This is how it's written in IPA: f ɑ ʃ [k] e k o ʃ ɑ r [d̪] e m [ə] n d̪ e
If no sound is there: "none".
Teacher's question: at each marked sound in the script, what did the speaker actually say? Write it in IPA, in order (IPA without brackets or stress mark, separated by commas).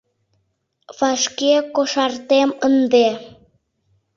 k, t̪, ə